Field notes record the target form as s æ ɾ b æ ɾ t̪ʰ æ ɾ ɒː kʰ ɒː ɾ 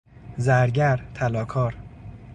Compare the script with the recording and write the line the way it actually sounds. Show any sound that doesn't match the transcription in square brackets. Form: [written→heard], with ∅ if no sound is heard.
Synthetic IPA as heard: [s→z] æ ɾ [b→ɟ] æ ɾ t̪ʰ æ [ɾ→l] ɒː kʰ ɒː ɾ

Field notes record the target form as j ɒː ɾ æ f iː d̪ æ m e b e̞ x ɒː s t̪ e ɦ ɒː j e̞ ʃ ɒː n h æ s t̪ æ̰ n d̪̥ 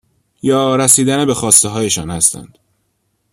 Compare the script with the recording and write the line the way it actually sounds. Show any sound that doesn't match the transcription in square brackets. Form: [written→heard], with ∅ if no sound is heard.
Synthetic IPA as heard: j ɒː ɾ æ [f→s] iː d̪ æ [m→n] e b e̞ x ɒː s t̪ e ɦ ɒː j e̞ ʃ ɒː n h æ s t̪ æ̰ n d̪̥

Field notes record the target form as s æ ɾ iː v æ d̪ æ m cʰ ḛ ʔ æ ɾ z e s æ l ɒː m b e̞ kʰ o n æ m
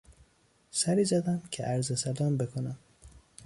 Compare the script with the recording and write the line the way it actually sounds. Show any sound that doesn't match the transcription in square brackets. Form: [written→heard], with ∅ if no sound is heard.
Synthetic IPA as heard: s æ ɾ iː [v→z] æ d̪ æ m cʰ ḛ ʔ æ ɾ z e s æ l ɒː m b e̞ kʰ o n æ m

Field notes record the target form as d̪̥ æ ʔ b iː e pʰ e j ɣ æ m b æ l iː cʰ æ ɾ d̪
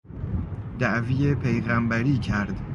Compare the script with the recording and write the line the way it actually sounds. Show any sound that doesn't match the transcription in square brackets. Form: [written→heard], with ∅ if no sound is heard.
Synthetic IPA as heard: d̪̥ æ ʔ [b→v] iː e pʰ e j ɣ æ m b æ [l→ɾ] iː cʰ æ ɾ d̪

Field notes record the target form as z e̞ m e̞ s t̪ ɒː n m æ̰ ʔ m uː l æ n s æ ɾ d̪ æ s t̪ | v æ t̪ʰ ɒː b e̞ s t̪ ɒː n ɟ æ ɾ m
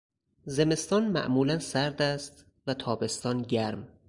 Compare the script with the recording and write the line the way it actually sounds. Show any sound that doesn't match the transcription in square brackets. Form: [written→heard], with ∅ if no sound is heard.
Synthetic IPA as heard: z e̞ m e̞ s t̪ ɒː n m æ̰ ʔ m uː l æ n s æ ɾ d̪ æ s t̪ | v æ t̪ʰ ɒː b e̞ s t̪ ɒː n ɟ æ ɾ m

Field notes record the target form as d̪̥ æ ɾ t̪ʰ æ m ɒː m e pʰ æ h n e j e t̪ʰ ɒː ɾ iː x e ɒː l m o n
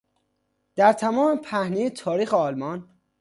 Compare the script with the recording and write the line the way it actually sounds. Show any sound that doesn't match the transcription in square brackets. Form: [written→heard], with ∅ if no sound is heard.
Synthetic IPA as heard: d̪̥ æ ɾ t̪ʰ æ m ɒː m e pʰ æ h n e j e t̪ʰ ɒː ɾ iː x e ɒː l m [o→ɒ] n

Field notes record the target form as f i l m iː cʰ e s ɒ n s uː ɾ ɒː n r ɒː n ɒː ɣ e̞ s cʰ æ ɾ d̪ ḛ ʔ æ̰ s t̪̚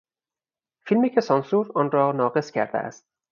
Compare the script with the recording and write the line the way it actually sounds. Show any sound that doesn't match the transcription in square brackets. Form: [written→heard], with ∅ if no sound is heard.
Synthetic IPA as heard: f i l m iː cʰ e s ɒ n s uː ɾ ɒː n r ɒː n ɒː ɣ e̞ s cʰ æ ɾ d̪ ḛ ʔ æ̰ s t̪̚

